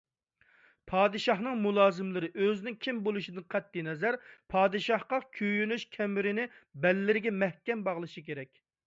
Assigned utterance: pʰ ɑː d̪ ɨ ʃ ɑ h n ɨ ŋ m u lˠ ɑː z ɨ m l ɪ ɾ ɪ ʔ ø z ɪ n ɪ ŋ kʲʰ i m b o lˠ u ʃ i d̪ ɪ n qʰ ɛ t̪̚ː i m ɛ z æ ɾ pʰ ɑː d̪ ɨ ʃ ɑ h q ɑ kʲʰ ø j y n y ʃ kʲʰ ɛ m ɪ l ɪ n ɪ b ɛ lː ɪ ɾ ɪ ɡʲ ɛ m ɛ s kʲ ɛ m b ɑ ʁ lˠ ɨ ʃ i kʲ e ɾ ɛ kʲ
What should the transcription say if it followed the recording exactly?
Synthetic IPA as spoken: pʰ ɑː d̪ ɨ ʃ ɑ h n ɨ ŋ m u lˠ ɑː z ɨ m l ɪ ɾ ɪ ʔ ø z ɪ n ɪ ŋ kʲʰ i m b o lˠ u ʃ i d̪ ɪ n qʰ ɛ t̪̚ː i n ɛ z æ ɾ pʰ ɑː d̪ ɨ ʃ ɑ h q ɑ kʲʰ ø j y n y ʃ kʲʰ ɛ m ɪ ɾ ɪ n ɪ b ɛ lː ɪ ɾ ɪ ɡʲ ɛ m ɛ h kʲ ɛ m b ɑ ʁ lˠ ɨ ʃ i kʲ e ɾ ɛ kʲ

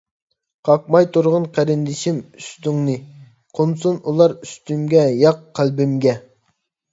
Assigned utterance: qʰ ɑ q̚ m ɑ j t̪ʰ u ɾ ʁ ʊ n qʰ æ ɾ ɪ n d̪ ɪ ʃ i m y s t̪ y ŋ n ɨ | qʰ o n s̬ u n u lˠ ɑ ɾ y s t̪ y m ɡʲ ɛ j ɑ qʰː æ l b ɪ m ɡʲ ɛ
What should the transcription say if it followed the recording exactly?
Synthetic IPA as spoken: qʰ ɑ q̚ m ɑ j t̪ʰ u ɾ ʁ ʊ n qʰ æ ɾ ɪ n d̪ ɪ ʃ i m y s t̪ y ŋ n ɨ | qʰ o n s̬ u n u lˠ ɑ ɾ y s t̪ y m ɡʲ ɛ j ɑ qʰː æ l b ɪ m ɡʲ ɛ

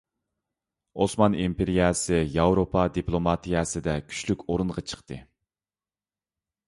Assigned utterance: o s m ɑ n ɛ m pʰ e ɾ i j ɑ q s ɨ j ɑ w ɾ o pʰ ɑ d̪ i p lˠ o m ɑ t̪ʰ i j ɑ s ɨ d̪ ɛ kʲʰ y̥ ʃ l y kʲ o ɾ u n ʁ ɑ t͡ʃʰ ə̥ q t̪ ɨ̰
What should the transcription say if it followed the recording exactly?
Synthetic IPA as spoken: o s m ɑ n i m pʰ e ɾ i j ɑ s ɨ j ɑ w ɾ o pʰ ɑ d̪ i p lˠ o m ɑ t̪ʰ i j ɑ s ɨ d̪ ɛ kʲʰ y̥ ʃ l y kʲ o ɾ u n ʁ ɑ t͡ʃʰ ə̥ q t̪ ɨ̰

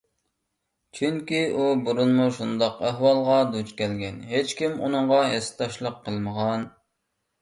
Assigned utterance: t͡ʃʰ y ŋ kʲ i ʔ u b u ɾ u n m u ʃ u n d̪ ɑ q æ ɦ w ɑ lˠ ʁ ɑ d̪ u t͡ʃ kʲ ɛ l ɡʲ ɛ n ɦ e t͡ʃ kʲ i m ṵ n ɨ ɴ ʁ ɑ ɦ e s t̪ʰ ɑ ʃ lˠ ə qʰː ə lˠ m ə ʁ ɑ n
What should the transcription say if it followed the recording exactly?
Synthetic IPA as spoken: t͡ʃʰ y ŋ kʲ i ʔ u b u ɾ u n m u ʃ u n d̪ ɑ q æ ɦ w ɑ lˠ ʁ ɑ d̪ u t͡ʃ kʲ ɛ l ɡʲ ɛ n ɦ e t͡ʃ kʲ i m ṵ n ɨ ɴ ʁ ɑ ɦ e s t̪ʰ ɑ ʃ lˠ ə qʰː ə lˠ m ə ʁ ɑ n

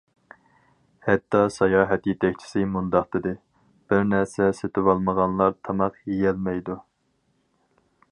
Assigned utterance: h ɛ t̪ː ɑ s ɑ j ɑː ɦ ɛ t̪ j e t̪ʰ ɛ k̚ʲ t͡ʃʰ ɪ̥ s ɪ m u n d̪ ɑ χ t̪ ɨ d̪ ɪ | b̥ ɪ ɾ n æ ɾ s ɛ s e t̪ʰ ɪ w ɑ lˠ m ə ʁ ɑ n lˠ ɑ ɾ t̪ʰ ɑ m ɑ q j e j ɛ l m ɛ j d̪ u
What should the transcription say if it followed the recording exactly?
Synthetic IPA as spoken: h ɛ t̪ː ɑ s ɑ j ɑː ɦ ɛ t̪ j e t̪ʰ ɛ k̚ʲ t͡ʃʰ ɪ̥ s ɪ m u n d̪ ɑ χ t̪ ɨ d̪ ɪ | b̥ ɪ ɾ n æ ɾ s ɛ s e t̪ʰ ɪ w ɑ lˠ m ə ʁ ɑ n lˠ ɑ ɾ t̪ʰ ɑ m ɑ q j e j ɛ l m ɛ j d̪ u

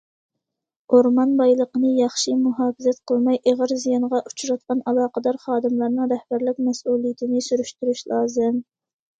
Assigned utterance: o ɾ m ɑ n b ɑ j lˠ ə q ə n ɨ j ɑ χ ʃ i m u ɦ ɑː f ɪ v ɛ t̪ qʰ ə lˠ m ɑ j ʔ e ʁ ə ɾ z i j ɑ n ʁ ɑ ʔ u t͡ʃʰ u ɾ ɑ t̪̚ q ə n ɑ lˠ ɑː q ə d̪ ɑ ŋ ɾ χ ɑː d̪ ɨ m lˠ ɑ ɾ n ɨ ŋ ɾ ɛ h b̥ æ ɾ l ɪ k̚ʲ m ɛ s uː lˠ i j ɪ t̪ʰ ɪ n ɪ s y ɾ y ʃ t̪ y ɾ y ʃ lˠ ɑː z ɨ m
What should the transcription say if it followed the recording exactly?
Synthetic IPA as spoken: o ɾ m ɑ n b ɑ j lˠ ə q ə n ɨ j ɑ χ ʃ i m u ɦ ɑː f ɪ z ɛ t̪ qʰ ə lˠ m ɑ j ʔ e ʁ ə ɾ z i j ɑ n ʁ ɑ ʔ u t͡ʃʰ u ɾ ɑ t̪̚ q ɑ n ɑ lˠ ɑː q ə d̪ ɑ ɾ χ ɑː d̪ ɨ m lˠ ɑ ɾ n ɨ ŋ ɾ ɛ h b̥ æ ɾ l ɪ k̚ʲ m ɛ s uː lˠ i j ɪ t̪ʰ ɪ n ɪ s y ɾ y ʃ t̪ y ɾ y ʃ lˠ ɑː z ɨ m

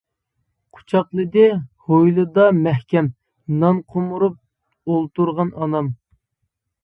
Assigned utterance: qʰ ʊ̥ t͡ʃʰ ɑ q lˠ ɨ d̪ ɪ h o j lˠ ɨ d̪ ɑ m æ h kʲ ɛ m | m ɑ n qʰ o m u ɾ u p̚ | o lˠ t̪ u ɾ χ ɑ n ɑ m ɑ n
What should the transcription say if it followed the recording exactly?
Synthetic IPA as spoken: qʰ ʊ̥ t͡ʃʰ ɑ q lˠ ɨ d̪ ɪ h o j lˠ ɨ d̪ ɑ m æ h kʲ ɛ m | n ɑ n qʰ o m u ɾ u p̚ | o lˠ t̪ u ɾ ʁ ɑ n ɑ n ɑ m

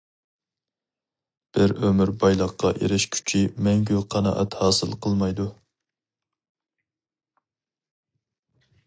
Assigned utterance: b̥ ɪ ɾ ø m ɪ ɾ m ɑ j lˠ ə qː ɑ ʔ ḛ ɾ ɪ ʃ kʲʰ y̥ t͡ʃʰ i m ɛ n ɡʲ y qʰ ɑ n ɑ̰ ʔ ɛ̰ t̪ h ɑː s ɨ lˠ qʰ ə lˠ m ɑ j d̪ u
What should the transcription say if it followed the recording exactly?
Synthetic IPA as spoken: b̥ ɪ ɾ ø m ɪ ɾ b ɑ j lˠ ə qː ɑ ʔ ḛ ɾ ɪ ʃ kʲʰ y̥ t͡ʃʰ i m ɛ ŋ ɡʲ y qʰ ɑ n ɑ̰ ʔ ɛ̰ t̪ h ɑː s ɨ lˠ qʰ ə lˠ m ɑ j d̪ u

